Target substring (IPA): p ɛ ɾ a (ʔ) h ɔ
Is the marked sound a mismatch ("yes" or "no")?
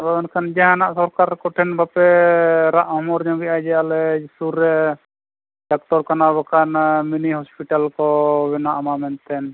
no